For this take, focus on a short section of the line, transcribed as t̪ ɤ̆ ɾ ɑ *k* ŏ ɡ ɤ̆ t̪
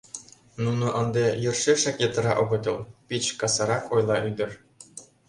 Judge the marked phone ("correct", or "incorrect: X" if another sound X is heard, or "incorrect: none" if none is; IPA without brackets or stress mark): incorrect: ʔ